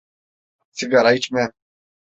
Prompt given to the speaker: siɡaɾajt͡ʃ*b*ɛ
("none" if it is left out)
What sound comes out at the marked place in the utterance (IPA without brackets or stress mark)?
m